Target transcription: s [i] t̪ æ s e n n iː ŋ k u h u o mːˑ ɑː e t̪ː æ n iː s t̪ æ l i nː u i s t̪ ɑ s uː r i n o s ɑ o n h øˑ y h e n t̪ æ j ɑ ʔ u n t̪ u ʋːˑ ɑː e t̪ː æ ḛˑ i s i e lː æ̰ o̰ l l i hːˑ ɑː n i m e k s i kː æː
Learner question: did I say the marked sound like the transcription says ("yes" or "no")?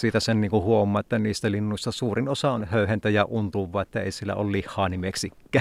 no